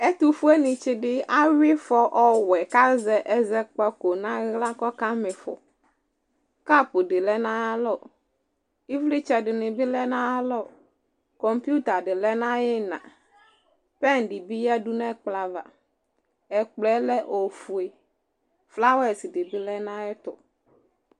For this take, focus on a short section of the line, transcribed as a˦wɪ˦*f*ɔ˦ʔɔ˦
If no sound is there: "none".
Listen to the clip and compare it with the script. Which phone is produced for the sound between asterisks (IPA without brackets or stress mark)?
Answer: f